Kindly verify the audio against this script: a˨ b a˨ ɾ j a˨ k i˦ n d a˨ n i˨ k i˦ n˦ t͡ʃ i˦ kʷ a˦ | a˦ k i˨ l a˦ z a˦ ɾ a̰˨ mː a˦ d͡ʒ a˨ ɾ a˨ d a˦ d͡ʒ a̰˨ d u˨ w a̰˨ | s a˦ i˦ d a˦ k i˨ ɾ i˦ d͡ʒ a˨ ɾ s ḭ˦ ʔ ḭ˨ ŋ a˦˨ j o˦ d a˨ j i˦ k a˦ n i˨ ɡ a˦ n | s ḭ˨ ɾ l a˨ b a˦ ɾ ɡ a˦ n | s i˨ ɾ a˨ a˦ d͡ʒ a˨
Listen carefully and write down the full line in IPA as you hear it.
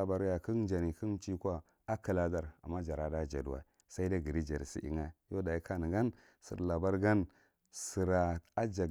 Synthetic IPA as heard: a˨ b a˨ ɾ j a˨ k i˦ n d͡ʒ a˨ n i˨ k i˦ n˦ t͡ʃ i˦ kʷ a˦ | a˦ k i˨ l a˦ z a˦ ɾ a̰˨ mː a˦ d͡ʒ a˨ ɾ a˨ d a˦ d͡ʒ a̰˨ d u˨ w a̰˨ | s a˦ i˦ d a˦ ɡ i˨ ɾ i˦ d͡ʒ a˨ ɾ s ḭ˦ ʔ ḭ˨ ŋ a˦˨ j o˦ d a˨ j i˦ k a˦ n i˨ ɡ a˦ n | s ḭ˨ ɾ l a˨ b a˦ ɾ ɡ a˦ n | s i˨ ɾ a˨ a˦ d͡ʒ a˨

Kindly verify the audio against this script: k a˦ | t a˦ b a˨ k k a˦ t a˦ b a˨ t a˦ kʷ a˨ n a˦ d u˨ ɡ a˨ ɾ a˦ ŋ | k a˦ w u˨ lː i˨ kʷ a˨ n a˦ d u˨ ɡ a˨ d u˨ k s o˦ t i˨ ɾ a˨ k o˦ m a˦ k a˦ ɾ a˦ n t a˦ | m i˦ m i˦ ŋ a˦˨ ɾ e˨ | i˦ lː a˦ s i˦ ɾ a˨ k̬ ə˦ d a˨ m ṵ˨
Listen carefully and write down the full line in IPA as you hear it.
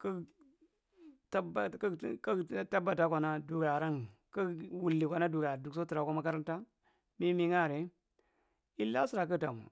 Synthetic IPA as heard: k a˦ | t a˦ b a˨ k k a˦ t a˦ b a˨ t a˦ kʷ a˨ n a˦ d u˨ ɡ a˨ ɾ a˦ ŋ | k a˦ w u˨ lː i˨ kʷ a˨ n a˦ d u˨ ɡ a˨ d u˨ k s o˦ t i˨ ɾ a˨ k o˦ m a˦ k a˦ ɾ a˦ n t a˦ | m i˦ m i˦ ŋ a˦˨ ɾ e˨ | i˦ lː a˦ s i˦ ɾ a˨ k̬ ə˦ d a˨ m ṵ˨

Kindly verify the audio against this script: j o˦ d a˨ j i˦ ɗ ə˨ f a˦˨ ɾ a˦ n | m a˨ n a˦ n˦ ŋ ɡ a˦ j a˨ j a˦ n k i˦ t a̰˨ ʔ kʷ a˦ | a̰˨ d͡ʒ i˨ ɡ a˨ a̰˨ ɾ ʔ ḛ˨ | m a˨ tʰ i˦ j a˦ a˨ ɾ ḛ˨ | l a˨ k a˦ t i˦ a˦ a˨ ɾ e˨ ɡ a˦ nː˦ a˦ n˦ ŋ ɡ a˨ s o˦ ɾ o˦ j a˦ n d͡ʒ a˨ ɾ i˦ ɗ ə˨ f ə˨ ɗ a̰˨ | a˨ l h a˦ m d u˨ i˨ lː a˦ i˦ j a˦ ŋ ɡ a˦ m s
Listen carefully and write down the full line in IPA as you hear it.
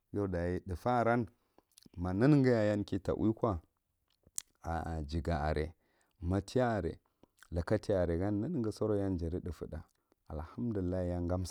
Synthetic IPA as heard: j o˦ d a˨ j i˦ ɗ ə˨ f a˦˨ ɾ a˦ n | m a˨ n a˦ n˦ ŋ ɡ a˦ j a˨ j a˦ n k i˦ t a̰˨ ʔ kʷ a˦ | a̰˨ d͡ʒ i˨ ɡ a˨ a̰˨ ɾ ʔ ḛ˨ | m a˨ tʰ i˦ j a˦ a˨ ɾ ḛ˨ | l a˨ k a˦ t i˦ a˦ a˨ ɾ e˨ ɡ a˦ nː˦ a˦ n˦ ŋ ɡ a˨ s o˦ ɾ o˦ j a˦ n d͡ʒ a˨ ɾ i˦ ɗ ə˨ f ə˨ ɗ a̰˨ | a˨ l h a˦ m d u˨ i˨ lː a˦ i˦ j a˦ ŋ ɡ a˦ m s

